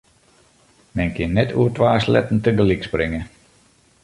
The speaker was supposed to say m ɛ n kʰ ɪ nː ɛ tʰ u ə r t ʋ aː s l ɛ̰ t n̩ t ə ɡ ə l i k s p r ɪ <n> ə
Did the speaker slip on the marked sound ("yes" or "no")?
yes